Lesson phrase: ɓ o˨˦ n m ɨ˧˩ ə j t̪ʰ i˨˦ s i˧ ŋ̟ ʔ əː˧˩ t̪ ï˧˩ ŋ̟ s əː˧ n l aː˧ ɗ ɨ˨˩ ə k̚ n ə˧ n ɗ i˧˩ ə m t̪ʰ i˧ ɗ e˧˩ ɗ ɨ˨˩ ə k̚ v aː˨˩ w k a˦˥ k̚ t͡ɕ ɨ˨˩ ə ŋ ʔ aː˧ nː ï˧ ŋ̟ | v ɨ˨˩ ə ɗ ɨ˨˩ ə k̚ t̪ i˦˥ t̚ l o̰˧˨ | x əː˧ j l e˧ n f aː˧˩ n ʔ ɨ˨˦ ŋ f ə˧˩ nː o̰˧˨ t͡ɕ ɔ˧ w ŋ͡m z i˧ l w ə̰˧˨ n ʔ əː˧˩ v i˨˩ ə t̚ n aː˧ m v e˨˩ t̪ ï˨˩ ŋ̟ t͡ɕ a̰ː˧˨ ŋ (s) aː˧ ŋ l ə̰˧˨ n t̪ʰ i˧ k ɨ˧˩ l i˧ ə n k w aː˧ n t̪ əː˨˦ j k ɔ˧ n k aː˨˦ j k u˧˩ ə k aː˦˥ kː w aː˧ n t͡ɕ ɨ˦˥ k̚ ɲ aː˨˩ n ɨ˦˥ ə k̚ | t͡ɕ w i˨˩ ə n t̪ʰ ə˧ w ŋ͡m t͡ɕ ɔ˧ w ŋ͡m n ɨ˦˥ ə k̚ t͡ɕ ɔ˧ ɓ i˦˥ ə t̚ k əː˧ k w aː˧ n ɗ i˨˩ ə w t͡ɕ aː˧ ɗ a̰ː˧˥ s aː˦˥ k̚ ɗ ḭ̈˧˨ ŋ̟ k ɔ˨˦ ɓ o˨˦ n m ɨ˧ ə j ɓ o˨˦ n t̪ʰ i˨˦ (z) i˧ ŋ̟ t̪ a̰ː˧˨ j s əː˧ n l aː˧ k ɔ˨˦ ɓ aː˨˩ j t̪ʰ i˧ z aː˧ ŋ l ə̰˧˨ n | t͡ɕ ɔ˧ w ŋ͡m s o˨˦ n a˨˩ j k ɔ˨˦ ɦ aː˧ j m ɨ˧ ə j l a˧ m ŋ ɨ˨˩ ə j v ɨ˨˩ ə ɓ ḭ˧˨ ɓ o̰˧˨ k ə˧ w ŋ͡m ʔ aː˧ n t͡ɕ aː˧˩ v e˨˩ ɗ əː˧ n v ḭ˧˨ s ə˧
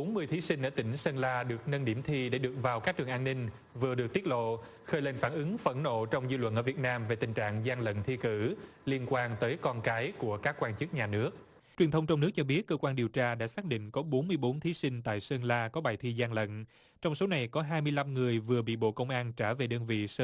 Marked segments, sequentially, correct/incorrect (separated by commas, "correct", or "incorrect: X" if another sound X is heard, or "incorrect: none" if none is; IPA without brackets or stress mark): incorrect: z, incorrect: s